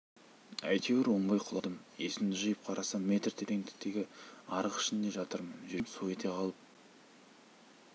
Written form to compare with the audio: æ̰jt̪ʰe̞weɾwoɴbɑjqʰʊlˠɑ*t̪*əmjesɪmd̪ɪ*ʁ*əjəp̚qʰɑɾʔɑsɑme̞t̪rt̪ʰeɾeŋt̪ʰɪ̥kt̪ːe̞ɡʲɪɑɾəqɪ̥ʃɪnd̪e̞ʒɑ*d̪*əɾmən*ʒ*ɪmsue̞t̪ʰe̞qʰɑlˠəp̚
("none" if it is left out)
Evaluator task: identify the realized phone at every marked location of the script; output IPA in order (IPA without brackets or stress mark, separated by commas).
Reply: d̪, ʒ, t̪, ʒ